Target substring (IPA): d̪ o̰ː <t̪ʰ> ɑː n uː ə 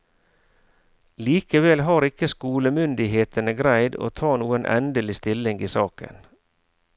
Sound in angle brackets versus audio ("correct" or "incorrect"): correct